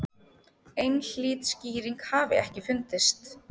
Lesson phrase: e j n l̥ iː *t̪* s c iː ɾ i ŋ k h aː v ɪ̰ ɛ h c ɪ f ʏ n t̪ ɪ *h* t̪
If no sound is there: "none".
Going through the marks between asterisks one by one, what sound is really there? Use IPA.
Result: t̪, s

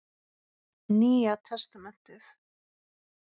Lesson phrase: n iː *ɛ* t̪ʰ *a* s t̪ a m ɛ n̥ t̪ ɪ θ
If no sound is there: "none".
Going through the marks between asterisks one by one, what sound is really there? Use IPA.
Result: a, ɛ

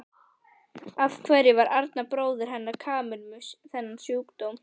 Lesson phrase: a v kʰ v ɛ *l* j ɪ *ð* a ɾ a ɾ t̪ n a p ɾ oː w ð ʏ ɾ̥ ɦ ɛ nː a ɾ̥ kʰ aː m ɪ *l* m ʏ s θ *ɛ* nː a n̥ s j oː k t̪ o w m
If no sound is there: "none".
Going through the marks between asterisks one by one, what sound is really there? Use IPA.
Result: ɾ, v, l, ɛ

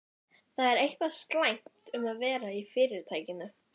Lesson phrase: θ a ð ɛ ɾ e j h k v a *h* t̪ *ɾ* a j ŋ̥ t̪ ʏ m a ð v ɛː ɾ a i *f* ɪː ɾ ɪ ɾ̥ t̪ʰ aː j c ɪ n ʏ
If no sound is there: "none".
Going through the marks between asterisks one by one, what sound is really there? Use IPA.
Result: s, l, f

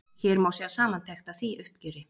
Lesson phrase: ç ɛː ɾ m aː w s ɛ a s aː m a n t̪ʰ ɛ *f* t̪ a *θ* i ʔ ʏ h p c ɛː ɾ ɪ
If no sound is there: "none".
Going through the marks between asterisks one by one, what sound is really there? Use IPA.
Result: x, θ

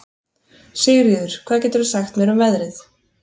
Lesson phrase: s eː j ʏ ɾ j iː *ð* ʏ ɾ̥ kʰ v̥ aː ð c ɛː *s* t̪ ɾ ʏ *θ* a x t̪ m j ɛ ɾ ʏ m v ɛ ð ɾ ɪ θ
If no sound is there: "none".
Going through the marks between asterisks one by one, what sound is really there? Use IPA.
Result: ð, none, s

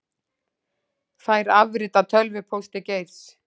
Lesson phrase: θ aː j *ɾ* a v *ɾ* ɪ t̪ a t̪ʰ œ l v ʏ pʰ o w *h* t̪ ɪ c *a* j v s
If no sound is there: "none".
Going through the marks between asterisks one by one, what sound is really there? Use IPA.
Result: ɾ, ɾ, s, e

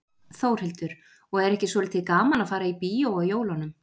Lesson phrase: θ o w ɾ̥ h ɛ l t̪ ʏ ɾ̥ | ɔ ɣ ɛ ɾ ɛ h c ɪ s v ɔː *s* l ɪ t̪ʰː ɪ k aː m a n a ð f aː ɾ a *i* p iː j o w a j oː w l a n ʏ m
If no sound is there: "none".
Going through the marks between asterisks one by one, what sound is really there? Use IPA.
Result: none, i

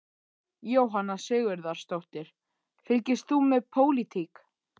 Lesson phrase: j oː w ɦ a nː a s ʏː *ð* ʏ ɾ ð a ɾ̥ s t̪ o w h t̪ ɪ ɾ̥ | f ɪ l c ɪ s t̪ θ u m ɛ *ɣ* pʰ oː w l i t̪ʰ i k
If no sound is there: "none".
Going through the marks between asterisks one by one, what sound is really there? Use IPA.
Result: ɣ, ð

